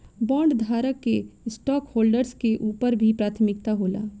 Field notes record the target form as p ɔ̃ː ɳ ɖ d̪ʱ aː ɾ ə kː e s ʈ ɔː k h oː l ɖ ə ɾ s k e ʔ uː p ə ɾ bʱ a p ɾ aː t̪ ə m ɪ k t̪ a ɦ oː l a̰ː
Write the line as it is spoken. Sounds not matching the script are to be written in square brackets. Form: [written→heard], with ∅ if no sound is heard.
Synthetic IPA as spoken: [p→b] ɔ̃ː ɳ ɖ d̪ʱ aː ɾ ə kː e s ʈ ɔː k h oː l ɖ ə ɾ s k e ʔ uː p ə ɾ bʱ [a→i] p ɾ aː [t̪→t̪ʰ] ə m ɪ k t̪ a ɦ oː l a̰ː